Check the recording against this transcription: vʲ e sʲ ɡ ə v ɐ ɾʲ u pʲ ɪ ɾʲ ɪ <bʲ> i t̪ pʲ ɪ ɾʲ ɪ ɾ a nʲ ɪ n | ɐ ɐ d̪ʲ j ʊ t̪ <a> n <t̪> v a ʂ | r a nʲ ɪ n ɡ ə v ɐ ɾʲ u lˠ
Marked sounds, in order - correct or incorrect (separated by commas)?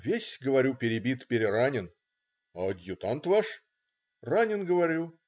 correct, correct, correct